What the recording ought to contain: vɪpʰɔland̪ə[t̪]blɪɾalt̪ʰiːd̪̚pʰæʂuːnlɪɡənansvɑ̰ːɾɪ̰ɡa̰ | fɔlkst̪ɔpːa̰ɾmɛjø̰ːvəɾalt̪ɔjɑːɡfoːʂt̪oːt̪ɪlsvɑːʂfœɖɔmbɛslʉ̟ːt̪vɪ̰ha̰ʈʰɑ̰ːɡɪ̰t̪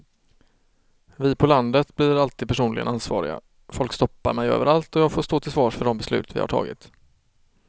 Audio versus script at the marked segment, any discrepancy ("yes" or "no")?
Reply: no